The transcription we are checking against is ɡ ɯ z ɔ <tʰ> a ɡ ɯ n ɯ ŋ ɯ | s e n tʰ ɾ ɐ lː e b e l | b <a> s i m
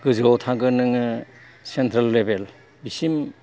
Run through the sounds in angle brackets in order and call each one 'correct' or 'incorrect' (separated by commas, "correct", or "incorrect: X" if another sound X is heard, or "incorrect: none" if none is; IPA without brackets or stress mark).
correct, incorrect: i